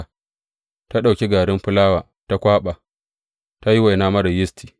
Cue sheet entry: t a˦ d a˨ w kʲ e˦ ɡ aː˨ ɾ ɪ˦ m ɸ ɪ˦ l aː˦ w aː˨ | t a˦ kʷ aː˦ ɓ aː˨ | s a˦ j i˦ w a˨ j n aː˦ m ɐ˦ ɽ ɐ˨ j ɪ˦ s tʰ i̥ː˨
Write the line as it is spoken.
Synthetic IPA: t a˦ ɗ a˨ w kʲ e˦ ɡ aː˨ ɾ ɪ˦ m ɸ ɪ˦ l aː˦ w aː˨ | t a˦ kʷ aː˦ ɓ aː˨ | t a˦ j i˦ w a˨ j n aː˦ m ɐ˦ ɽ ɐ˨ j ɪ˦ s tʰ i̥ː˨

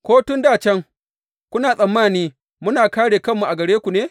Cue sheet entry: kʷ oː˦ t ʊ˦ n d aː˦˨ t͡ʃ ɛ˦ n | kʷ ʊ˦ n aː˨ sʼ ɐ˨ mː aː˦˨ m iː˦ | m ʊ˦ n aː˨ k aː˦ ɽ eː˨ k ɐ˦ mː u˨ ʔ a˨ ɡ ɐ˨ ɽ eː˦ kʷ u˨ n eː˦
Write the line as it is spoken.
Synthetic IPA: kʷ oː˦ t ʊ˦ n d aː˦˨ t͡ʃ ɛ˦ ŋ | kʷ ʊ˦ n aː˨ sʼ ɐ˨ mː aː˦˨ n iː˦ | m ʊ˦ n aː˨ k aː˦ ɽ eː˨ k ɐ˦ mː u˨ ʔ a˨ ɡ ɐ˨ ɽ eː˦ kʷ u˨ n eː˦

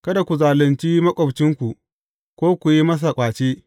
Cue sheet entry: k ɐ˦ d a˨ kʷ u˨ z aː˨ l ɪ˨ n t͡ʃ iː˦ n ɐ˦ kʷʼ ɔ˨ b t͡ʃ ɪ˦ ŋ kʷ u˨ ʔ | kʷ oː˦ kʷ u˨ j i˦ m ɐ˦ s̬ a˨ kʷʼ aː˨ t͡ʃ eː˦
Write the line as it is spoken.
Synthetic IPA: k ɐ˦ d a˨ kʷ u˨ z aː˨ l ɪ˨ n t͡ʃ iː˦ m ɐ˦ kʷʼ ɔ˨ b t͡ʃ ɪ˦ ŋ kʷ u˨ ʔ | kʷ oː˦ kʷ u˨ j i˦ m ɐ˦ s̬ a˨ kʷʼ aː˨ t͡ʃ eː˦

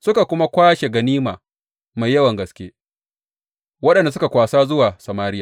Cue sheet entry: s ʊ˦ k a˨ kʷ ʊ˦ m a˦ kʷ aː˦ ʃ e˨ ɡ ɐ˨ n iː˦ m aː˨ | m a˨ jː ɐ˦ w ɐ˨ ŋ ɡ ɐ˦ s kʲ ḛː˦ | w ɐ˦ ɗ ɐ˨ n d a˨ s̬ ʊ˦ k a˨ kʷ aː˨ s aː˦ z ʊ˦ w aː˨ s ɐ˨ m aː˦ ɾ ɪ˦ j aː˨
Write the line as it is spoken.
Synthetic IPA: s ʊ˦ k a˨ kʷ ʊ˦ m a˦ kʷ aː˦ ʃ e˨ ɡ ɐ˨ n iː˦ m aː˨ | m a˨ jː ɐ˦ w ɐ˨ ŋ ɡ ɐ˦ s kʲ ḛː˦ | w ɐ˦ ɗ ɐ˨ n d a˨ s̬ ʊ˦ k a˨ kʷ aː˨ s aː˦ z ʊ˦ w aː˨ s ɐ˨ m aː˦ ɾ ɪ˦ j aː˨

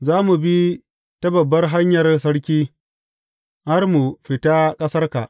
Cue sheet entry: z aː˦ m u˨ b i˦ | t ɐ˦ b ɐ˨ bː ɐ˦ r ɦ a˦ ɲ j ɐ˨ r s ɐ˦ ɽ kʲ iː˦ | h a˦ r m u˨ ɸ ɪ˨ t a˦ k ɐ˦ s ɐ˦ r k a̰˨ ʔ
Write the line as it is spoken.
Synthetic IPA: z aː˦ m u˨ b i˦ | t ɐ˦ b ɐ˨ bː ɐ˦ r ɦ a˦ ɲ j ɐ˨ r s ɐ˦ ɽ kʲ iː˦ | h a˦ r m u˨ ɸ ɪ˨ t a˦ kʼ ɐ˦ s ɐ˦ r k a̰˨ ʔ

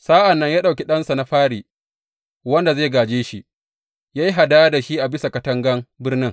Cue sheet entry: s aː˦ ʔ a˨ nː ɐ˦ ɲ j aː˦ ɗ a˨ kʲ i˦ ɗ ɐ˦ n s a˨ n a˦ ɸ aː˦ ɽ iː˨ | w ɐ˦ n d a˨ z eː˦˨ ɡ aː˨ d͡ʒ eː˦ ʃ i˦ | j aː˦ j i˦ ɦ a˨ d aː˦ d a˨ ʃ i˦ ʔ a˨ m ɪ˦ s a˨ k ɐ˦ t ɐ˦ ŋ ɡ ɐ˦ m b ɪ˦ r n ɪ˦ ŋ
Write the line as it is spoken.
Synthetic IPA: s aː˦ ʔ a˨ nː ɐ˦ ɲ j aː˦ ɗ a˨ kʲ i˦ ɗ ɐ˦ n s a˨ n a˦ ɸ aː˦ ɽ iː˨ | w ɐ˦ n d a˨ z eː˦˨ ɡ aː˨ d͡ʒ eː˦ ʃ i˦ | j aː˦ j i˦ ɦ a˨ d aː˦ d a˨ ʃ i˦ ʔ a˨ b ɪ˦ s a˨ k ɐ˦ t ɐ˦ ŋ ɡ ɐ˦ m b ɪ˦ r n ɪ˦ ŋ

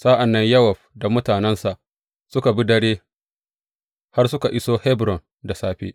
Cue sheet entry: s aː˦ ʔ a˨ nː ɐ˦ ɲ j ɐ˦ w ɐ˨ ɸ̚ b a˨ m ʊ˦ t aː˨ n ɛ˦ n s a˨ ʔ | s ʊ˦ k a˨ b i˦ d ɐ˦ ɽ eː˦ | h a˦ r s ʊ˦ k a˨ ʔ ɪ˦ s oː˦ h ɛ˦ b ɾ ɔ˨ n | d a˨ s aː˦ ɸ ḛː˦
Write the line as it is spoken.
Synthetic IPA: s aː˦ ʔ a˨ nː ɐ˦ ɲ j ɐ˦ w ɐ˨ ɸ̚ d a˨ m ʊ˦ t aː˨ n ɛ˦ n s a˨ ʔ | s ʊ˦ k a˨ b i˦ d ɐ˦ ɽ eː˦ | h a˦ r s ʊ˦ k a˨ ʔ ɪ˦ s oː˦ h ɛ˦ b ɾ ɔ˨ n | d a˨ s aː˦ ɸ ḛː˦

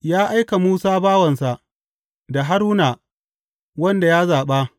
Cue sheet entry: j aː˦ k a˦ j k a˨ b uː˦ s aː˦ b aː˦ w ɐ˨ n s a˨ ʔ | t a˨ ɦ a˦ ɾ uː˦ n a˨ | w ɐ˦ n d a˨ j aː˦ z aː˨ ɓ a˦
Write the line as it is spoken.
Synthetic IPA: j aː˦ ʔ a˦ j k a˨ m uː˦ s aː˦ b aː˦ w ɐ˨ n s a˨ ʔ | d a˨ ɦ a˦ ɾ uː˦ n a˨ | w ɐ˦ n d a˨ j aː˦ z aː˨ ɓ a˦

